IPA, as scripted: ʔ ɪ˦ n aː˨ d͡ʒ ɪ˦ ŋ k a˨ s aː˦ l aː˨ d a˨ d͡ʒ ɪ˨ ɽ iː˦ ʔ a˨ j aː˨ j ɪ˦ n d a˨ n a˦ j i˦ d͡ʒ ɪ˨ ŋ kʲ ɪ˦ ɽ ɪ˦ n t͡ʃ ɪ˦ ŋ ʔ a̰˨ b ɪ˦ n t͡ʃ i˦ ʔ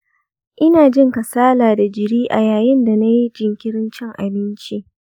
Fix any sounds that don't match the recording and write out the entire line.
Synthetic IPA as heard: ʔ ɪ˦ n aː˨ d͡ʒ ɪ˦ ŋ k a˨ s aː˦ l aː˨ d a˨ d͡ʒ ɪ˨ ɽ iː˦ ʔ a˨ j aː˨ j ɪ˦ n d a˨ n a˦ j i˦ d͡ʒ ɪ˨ ŋ kʲ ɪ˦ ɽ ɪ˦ n t͡ʃ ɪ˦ ŋ ʔ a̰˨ b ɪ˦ n t͡ʃ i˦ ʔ